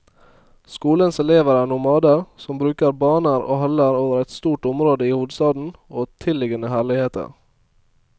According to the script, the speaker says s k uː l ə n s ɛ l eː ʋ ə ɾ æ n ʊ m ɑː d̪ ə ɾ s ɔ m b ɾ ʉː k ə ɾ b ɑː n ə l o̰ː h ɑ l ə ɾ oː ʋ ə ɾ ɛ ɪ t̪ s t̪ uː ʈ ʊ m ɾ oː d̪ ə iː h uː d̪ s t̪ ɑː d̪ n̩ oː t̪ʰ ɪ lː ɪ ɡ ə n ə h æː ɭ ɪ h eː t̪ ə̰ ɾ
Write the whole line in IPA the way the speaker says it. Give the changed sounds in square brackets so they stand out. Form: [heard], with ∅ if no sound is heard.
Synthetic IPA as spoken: s k uː l ə n s ɛ l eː ʋ ə ɾ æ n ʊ m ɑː d̪ ə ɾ s ɔ m b ɾ ʉː k ə ɾ b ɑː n ə [ɾ] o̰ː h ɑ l ə ɾ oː ʋ ə ɾ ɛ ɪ t̪ s t̪ uː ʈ ʊ m ɾ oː d̪ ə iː h uː d̪ s t̪ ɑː d̪ n̩ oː t̪ʰ ɪ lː ɪ ɡ ə n ə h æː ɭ ɪ h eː t̪ ə̰ ɾ

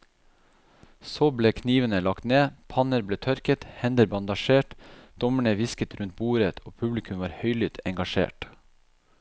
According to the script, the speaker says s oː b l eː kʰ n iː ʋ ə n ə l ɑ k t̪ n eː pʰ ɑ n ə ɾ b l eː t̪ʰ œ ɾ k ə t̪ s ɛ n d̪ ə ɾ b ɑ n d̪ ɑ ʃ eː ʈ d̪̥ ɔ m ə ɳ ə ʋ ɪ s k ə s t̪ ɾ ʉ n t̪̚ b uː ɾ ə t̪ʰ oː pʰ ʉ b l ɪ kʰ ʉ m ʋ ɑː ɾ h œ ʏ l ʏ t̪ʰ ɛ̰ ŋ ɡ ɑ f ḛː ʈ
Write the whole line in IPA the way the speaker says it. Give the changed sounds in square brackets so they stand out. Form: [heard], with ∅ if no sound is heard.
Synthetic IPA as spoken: s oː b l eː kʰ n iː ʋ ə n ə l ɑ k t̪ n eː pʰ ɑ n ə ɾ b l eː t̪ʰ œ ɾ k ə t̪ [h] ɛ n d̪ ə ɾ b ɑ n d̪ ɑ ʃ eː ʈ d̪̥ ɔ m ə ɳ ə ʋ ɪ s k ə [∅] t̪ ɾ ʉ n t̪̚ b uː ɾ ə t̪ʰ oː pʰ ʉ b l ɪ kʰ ʉ m ʋ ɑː ɾ h œ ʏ l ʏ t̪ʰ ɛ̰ ŋ ɡ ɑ [ʃ] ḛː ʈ

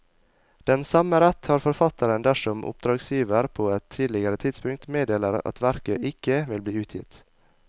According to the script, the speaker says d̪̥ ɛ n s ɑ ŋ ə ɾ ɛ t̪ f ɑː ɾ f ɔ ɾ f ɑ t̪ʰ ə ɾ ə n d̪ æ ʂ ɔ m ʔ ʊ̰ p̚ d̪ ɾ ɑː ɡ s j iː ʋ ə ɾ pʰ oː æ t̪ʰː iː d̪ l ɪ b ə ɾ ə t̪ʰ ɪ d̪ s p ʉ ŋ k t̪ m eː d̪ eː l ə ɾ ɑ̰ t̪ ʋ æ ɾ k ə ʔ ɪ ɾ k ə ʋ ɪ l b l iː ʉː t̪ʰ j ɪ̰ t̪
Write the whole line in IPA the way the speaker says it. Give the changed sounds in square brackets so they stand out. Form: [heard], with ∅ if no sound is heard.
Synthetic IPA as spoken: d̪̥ ɛ n s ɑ [m] ə ɾ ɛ t̪ [h] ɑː ɾ f ɔ ɾ f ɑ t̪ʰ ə ɾ ə n d̪ æ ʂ ɔ m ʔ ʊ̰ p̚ d̪ ɾ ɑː ɡ s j iː ʋ ə ɾ pʰ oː [ɛ] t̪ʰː iː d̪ l ɪ [ɡ] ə ɾ ə t̪ʰ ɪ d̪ s p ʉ ŋ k t̪ m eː d̪ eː l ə ɾ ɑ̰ t̪ ʋ æ ɾ k ə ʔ ɪ [∅] k ə ʋ ɪ l b l iː ʉː t̪ʰ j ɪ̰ t̪

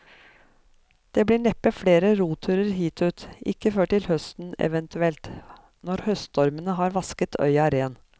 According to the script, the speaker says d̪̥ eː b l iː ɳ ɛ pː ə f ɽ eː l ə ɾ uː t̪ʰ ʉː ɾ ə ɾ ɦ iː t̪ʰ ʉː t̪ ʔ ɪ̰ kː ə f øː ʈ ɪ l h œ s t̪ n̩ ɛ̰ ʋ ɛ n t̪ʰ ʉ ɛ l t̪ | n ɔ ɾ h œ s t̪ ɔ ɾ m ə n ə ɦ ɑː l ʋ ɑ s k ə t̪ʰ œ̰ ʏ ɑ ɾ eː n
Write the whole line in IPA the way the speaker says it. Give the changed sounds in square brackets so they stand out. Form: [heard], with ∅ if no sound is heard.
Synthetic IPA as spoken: d̪̥ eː b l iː ɳ ɛ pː ə f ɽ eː [ɾ] ə ɾ uː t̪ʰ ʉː ɾ ə ɾ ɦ iː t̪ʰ ʉː t̪ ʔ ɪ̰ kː ə f øː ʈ ɪ l h œ s t̪ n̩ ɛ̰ ʋ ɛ n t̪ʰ ʉ ɛ l t̪ | n ɔ ɾ h œ s t̪ ɔ ɾ m ə n ə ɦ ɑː [ɾ] ʋ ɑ s k ə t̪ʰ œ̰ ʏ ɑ ɾ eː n

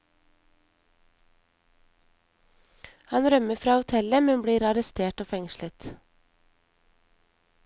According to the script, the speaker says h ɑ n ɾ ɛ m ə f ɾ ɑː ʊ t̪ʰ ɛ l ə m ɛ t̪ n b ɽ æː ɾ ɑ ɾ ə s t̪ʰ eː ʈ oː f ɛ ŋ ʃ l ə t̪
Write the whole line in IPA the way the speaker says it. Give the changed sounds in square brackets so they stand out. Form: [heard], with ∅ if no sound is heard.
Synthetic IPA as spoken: h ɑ n ɾ [œ] m ə f ɾ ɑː ʊ t̪ʰ ɛ l ə m ɛ [∅] n b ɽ [iː] ɾ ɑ ɾ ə s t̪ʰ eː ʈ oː f ɛ ŋ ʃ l ə t̪

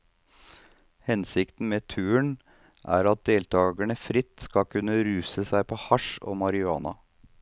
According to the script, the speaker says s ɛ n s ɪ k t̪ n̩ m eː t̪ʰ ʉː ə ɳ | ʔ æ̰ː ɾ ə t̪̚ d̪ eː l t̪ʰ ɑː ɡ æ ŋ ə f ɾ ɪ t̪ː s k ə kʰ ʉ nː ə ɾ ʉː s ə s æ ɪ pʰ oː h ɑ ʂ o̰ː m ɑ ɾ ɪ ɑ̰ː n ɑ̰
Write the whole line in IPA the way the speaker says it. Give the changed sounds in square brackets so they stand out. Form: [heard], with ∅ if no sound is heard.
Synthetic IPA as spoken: [h] ɛ n s ɪ k t̪ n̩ m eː t̪ʰ ʉː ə ɳ | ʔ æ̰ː ɾ [ɑ] t̪̚ d̪ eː l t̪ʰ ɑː ɡ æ [ɳ] ə f ɾ ɪ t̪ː s k [ɑ] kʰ ʉ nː ə ɾ ʉː s ə s æ ɪ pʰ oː h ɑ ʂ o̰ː m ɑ ɾ ɪ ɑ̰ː n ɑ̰

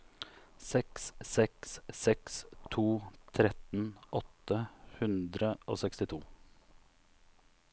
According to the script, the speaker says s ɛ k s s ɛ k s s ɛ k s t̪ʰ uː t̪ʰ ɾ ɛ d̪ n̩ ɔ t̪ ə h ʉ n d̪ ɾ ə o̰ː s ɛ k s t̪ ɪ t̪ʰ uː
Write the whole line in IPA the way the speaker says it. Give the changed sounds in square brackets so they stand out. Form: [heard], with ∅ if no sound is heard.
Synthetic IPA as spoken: s ɛ k s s ɛ k s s ɛ k s t̪ʰ uː t̪ʰ ɾ ɛ [t̪] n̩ ɔ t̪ ə h ʉ n d̪ ɾ ə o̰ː s ɛ k s t̪ ɪ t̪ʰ uː

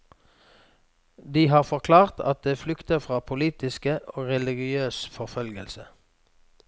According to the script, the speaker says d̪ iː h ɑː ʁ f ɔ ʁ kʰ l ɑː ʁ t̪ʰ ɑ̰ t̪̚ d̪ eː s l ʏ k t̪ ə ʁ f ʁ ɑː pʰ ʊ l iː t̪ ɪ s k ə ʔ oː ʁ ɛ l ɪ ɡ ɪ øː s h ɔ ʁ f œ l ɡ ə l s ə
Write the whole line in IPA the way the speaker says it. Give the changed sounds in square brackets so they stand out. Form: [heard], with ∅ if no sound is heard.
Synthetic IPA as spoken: d̪ iː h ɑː ʁ f ɔ ʁ kʰ l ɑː ʁ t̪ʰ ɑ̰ t̪̚ d̪ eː [f] l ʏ k t̪ ə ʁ f ʁ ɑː pʰ ʊ l iː t̪ ɪ s k ə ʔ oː ʁ ɛ l ɪ ɡ ɪ øː s [f] ɔ ʁ f œ l ɡ ə l s ə

